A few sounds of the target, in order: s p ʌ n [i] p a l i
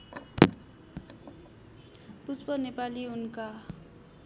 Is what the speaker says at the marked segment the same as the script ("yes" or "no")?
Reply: no